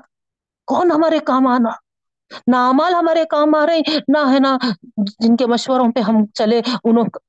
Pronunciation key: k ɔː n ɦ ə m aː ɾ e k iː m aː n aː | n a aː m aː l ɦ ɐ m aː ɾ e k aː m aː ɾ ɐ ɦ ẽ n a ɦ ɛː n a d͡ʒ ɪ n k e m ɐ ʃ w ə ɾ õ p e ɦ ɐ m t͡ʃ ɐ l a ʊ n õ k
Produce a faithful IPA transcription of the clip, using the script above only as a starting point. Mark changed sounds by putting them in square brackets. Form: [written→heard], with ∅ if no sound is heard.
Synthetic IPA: k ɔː n ɦ [ə→ɐ] m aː ɾ e k [iː→aː] m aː n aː | n a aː m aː l ɦ ɐ m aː ɾ e k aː m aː ɾ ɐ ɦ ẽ n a ɦ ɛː n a d͡ʒ ɪ n k e m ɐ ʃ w ə ɾ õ p e ɦ ɐ m t͡ʃ ɐ l [a→e] ʊ n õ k